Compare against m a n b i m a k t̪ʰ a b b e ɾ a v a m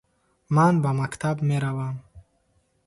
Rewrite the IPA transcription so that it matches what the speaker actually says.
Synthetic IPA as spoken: m a n b a m a k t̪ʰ a b m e ɾ a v a m